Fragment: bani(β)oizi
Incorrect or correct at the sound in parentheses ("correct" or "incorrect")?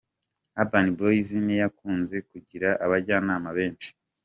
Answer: incorrect